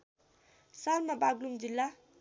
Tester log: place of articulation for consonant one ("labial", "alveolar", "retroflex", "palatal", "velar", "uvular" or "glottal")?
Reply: alveolar